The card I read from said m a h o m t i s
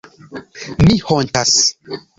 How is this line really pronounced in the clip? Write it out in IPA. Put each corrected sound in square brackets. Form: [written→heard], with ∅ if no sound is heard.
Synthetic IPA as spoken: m [a→i] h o [m→n] t [i→a] s